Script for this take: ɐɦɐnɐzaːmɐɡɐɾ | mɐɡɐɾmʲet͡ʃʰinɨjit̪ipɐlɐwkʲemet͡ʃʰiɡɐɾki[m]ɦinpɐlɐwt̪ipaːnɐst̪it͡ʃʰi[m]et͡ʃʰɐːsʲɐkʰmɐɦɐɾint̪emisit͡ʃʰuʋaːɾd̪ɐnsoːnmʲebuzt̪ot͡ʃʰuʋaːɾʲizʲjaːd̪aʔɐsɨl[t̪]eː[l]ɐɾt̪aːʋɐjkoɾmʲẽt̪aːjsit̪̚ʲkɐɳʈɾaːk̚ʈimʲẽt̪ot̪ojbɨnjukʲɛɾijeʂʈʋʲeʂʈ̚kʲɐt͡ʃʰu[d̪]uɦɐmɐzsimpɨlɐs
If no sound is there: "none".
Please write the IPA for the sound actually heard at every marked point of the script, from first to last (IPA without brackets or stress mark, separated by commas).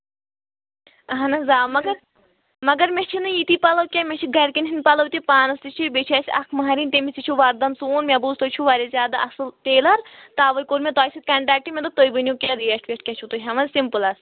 n, b, t̪, l, t̪